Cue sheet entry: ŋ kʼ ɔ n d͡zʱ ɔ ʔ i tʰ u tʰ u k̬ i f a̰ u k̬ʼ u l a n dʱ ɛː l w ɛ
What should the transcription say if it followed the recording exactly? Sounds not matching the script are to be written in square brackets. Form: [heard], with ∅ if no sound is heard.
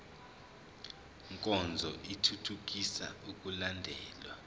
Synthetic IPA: ŋ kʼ ɔ n d͡zʱ ɔ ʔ i tʰ u tʰ u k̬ i [s] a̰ u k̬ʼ u l a n dʱ ɛː l w [a]

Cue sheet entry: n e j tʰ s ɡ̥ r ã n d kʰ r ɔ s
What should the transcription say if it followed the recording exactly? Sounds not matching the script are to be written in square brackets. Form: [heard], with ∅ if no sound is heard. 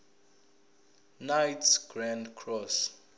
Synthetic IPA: n [a] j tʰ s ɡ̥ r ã n d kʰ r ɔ s

